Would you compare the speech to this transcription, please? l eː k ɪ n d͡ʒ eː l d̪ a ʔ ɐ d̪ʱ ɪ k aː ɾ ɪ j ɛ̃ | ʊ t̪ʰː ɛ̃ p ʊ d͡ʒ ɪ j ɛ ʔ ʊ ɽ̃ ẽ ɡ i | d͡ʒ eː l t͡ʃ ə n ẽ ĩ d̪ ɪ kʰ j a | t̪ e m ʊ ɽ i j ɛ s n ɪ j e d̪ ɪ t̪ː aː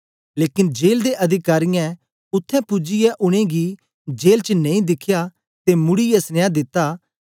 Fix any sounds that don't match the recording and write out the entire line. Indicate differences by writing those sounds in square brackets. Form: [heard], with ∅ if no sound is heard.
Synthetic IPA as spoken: l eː k ɪ n d͡ʒ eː l d̪ [e] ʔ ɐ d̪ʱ ɪ k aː ɾ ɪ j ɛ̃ | ʊ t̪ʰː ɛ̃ p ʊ d͡ʒ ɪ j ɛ ʔ ʊ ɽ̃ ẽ ɡ i | d͡ʒ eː l t͡ʃ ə n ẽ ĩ d̪ ɪ kʰ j a | t̪ e m ʊ ɽ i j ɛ s n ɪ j [a] d̪ ɪ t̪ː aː